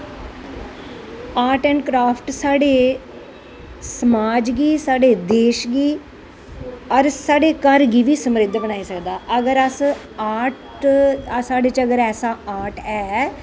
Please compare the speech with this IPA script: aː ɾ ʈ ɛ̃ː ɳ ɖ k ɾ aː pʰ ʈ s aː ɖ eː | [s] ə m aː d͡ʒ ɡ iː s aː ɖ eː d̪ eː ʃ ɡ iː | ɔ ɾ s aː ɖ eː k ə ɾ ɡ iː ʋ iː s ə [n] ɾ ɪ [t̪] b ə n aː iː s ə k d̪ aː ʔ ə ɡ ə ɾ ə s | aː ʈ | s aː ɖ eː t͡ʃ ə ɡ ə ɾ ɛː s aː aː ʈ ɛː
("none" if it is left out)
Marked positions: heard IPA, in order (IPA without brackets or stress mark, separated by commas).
s, m, d̪